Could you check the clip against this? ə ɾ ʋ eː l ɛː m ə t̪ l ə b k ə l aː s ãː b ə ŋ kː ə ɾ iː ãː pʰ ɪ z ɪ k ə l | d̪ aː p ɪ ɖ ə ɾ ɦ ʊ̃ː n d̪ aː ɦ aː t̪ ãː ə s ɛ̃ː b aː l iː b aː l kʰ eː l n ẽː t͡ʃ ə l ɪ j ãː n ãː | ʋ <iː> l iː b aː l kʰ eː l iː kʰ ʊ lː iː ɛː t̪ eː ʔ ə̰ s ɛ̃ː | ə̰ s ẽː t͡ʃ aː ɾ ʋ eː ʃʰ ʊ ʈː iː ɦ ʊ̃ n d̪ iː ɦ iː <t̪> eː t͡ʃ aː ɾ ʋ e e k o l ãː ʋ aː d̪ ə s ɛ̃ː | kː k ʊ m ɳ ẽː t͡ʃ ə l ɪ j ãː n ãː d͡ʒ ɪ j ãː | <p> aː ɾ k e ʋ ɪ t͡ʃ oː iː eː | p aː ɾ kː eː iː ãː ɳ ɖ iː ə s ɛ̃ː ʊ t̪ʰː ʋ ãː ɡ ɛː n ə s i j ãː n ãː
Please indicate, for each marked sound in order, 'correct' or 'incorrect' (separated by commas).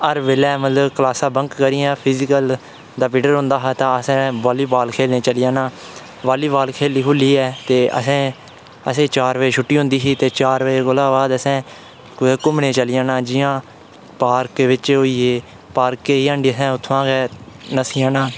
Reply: incorrect, correct, correct